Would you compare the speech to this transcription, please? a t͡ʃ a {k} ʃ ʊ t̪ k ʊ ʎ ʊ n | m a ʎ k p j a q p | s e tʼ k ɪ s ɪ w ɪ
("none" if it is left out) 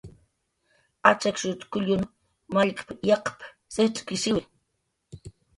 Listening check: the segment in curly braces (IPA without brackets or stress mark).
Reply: k